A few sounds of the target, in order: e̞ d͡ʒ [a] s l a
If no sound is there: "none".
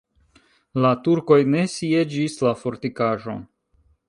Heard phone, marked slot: i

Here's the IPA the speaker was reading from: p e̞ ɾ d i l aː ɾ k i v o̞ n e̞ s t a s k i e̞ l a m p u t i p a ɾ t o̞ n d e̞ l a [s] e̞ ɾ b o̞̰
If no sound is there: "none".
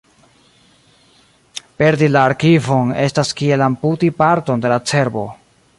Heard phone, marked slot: t͡s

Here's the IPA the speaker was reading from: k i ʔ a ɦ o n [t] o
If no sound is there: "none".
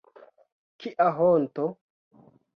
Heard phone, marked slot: t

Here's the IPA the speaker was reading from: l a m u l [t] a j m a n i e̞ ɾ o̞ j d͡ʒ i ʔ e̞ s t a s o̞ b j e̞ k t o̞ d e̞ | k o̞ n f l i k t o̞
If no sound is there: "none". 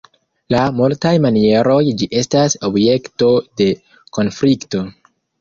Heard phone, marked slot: t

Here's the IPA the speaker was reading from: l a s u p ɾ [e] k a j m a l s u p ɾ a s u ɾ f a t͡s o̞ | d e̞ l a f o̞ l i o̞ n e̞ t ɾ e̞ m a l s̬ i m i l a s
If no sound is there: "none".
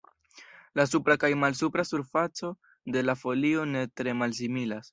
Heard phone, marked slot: a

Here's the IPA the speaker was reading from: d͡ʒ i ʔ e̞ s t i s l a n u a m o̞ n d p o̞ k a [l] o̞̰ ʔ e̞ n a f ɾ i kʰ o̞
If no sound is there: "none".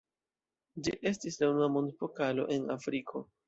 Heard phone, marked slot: l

